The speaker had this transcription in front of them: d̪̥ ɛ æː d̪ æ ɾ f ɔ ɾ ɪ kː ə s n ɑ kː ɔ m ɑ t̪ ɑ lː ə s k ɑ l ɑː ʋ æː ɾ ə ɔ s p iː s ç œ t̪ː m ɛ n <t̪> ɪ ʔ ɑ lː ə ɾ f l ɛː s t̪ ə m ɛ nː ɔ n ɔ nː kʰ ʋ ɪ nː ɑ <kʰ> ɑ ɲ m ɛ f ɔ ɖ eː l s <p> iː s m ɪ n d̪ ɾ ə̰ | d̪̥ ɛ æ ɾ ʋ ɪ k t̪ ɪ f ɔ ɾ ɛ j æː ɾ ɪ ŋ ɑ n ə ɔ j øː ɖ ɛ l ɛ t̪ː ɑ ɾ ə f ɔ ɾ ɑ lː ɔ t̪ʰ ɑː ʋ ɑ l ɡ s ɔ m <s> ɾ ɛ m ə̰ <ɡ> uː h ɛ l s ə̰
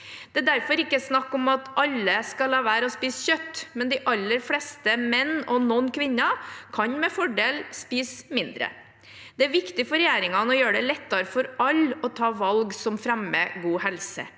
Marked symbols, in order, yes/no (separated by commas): no, yes, yes, no, yes